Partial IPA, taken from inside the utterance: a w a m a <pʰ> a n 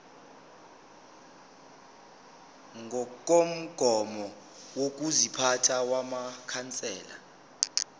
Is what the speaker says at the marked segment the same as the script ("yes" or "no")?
no